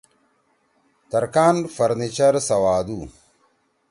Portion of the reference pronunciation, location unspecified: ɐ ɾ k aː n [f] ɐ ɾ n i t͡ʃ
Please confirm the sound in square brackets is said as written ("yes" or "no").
yes